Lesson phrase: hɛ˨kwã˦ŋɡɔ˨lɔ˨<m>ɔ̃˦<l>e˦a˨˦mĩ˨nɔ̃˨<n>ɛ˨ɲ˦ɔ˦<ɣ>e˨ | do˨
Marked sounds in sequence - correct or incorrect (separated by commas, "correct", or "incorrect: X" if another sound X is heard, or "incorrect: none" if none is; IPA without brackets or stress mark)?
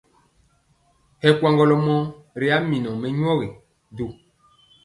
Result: correct, incorrect: ɾ, incorrect: m, correct